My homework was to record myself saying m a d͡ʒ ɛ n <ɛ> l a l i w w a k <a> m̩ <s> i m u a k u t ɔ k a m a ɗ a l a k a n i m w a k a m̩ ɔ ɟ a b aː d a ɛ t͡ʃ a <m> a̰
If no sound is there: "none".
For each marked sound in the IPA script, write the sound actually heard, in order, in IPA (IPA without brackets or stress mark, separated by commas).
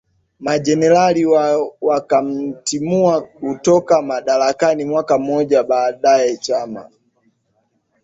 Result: ɛ, a, t, m